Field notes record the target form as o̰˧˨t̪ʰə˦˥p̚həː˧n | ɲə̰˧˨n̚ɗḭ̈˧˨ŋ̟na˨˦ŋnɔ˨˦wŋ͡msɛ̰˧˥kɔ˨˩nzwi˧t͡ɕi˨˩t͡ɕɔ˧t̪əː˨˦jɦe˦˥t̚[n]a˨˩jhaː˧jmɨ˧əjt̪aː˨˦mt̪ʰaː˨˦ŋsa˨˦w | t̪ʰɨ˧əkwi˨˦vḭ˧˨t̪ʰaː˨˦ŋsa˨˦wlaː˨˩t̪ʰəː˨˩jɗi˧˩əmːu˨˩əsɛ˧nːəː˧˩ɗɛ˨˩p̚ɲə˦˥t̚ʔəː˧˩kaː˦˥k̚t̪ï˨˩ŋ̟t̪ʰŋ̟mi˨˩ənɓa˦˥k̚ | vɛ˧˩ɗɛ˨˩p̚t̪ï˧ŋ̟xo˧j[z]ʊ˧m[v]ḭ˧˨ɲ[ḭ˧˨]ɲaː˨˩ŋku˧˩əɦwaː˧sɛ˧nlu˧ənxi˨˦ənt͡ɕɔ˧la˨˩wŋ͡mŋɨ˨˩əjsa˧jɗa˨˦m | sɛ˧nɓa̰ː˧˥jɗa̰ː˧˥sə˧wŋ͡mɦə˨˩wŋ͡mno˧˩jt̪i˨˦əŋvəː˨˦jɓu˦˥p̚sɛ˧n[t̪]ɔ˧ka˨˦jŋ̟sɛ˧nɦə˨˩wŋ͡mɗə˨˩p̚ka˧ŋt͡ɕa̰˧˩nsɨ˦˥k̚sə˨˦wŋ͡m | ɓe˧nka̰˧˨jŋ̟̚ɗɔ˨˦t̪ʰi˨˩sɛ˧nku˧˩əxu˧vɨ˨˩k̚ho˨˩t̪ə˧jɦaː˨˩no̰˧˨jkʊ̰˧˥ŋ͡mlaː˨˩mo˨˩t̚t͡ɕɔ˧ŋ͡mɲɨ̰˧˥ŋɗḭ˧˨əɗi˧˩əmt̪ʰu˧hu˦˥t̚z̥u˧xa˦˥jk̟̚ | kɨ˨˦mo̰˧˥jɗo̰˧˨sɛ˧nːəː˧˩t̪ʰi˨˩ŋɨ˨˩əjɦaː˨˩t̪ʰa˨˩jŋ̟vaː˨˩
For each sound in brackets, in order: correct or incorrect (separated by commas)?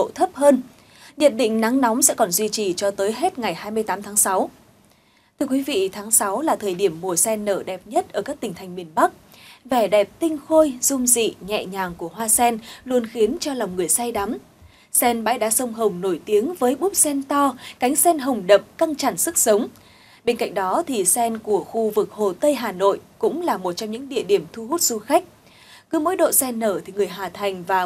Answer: incorrect, correct, incorrect, incorrect, correct